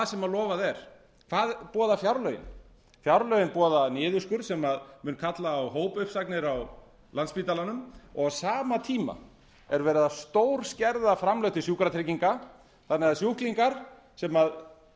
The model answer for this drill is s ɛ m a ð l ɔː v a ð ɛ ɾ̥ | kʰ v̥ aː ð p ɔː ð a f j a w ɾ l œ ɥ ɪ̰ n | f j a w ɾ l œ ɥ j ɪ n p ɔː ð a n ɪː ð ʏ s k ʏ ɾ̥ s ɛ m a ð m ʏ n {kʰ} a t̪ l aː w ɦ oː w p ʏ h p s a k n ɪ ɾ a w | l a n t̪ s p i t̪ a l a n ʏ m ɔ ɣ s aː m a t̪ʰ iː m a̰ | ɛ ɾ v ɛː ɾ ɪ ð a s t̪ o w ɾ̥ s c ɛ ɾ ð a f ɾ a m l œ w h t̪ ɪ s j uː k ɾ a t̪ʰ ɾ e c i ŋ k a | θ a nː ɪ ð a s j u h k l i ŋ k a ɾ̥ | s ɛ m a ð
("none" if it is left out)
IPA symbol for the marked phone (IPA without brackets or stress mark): kʰ